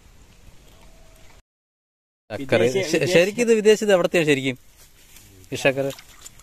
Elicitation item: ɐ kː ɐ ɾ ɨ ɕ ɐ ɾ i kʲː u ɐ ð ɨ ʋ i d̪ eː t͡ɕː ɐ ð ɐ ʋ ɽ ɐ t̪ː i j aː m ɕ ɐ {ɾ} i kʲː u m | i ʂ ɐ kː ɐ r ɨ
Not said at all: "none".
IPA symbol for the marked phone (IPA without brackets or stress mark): ɾ